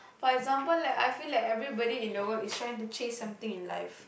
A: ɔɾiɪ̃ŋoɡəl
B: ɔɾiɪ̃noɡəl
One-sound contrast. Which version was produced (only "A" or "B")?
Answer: B